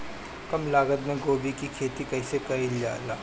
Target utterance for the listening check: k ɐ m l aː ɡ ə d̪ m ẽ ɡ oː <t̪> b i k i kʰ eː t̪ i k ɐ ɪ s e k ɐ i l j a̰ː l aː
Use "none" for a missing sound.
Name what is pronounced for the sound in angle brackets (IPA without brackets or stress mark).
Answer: none